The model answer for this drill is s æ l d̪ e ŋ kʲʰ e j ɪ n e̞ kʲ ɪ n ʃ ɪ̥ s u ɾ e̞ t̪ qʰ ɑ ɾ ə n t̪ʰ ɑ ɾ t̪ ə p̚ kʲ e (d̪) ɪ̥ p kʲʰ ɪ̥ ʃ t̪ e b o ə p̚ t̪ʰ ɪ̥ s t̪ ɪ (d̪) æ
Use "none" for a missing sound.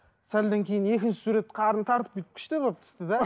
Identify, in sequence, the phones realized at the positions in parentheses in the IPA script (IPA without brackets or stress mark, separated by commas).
t̪, d̪